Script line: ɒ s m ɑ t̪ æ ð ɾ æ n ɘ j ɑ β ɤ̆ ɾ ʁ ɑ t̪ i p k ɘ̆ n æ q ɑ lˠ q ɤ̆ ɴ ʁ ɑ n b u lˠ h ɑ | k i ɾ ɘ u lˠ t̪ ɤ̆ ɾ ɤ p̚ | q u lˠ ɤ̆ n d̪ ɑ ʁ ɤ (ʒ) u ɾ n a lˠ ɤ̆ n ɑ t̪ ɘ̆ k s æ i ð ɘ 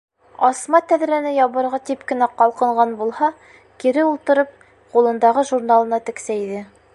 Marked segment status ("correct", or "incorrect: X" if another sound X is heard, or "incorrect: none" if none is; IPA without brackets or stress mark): correct